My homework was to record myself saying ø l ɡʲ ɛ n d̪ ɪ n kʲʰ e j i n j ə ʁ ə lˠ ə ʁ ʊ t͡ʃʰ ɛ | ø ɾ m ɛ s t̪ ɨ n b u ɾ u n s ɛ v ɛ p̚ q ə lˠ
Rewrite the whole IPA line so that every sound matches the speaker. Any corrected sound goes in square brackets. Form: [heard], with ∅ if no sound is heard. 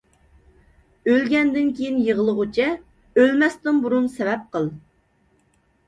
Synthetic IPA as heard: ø l ɡʲ ɛ n d̪ ɪ n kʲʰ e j i n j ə ʁ ə lˠ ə ʁ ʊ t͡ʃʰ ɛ | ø [l] m ɛ s t̪ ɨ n b u ɾ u n s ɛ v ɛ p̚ q ə lˠ